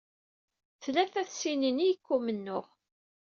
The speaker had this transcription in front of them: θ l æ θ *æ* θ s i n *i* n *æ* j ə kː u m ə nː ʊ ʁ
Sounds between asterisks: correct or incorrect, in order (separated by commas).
correct, correct, incorrect